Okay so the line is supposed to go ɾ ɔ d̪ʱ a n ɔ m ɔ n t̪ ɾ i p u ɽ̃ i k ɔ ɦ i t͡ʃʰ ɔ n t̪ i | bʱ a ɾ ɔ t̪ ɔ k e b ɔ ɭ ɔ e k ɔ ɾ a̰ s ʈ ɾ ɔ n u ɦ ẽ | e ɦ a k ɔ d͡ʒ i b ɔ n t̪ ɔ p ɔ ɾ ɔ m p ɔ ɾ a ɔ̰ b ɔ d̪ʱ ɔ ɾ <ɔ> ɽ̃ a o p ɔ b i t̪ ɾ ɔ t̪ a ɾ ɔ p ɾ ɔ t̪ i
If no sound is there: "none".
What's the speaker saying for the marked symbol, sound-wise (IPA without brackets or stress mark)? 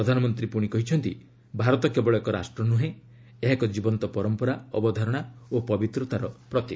ɔ